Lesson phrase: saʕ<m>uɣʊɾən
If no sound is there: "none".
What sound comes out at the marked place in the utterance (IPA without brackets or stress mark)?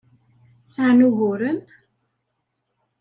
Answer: n